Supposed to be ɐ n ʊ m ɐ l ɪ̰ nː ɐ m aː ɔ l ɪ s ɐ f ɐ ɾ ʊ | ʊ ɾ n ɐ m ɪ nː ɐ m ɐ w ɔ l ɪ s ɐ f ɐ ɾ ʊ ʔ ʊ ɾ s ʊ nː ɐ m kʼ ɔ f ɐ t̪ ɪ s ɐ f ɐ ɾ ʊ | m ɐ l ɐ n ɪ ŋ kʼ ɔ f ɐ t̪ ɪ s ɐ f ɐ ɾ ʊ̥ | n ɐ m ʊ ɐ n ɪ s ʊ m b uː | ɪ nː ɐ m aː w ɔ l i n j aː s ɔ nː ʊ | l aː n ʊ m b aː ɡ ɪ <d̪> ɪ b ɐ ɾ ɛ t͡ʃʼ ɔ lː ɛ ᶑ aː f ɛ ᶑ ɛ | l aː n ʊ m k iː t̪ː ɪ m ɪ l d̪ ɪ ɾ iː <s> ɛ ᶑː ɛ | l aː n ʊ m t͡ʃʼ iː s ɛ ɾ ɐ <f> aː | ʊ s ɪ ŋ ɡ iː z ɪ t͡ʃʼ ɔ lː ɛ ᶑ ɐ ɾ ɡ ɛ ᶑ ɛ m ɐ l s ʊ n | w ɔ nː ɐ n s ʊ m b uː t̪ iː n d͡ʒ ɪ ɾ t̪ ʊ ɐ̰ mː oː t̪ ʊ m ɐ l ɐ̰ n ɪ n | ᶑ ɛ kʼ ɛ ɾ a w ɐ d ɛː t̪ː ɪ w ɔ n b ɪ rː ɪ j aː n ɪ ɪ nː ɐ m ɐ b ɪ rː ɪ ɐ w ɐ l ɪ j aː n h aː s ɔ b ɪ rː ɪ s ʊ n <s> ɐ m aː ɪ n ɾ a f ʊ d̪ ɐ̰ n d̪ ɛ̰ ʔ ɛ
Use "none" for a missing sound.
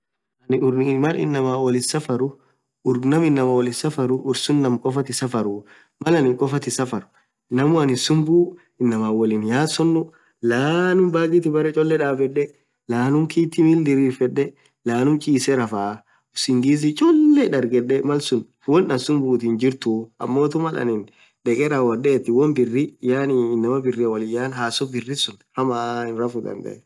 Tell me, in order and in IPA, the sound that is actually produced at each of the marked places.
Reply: t̪, f, f, h

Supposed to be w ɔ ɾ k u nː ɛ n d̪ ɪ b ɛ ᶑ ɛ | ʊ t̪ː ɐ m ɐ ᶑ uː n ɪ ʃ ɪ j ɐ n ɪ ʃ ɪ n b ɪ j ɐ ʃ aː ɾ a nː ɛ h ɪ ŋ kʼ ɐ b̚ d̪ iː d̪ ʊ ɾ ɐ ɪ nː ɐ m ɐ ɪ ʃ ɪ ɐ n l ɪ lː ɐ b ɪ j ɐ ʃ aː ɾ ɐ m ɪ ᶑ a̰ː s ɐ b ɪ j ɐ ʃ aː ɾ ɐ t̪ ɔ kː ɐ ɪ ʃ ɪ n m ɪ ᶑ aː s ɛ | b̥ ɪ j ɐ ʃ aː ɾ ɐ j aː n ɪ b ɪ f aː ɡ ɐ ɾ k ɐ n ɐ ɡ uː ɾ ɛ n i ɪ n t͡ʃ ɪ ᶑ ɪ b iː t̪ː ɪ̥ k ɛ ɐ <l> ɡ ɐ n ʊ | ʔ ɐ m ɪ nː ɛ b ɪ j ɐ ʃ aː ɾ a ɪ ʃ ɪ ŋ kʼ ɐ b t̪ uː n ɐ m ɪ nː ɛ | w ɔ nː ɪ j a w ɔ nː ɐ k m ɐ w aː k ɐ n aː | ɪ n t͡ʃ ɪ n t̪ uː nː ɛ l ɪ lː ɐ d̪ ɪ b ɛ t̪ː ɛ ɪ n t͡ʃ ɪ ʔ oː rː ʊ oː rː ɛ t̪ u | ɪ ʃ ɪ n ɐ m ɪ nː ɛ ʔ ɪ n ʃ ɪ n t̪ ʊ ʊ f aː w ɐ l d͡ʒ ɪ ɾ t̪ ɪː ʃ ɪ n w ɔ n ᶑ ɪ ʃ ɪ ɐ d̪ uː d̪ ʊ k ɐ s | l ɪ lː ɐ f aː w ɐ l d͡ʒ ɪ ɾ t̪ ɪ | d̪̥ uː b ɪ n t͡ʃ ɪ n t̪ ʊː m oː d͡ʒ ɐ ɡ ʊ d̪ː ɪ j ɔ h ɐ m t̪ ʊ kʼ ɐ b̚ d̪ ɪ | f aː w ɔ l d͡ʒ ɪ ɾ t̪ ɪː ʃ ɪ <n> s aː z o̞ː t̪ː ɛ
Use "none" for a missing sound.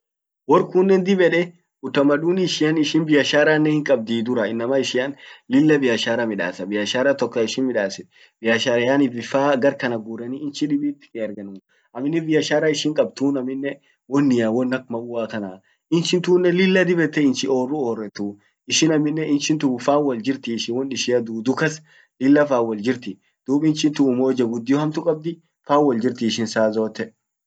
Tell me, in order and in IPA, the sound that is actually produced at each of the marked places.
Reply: ɾ, n

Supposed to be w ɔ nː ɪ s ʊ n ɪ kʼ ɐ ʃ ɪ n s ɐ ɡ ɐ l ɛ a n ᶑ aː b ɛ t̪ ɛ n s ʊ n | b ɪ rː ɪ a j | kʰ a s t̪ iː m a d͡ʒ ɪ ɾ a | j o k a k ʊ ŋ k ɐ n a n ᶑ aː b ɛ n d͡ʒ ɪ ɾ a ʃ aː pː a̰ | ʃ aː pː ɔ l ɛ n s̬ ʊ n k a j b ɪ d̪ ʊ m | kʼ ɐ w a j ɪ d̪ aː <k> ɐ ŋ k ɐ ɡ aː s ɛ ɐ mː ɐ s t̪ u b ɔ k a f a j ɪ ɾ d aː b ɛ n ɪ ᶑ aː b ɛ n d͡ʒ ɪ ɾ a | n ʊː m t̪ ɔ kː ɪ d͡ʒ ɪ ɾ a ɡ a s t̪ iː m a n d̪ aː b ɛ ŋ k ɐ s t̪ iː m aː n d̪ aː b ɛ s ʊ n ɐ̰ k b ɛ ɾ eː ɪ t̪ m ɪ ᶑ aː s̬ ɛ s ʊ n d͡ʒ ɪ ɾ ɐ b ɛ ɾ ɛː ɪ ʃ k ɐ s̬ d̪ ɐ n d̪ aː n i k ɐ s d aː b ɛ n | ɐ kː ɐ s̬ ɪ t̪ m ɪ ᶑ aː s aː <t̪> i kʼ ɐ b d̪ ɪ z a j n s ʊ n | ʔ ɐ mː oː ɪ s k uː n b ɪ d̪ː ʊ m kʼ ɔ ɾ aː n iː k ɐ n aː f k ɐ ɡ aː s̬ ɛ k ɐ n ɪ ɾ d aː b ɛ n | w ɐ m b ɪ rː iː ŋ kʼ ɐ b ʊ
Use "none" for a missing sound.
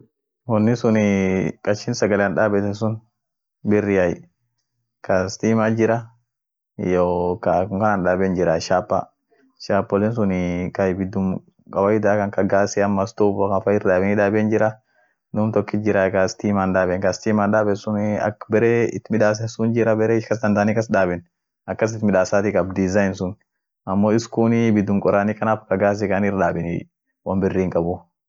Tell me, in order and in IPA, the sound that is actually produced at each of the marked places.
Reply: k, t̪

